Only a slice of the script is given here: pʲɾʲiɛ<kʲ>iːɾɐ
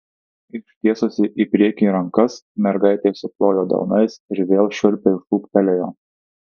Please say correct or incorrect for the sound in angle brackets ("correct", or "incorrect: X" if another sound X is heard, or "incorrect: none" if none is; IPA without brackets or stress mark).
correct